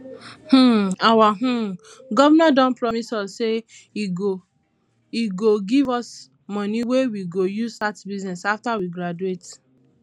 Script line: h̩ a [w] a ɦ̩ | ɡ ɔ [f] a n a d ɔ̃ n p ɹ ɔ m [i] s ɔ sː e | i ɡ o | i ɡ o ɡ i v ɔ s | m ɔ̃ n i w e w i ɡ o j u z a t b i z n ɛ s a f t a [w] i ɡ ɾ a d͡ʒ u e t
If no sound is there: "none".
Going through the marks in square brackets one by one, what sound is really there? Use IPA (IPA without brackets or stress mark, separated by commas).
w, v, i, w